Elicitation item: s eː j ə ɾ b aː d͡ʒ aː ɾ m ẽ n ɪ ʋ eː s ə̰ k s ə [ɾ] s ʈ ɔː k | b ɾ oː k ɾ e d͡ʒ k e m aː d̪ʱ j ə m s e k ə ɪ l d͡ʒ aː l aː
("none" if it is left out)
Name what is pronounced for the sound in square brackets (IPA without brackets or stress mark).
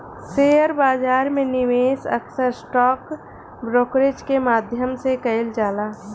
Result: ɾ